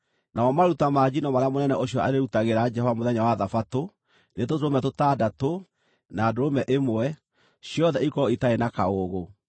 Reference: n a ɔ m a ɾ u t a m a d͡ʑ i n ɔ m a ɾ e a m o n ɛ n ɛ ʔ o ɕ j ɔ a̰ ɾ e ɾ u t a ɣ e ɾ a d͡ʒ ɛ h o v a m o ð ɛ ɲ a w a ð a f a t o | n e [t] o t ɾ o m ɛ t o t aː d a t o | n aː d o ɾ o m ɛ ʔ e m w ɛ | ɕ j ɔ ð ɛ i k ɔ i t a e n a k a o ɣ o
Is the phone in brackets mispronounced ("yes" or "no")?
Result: no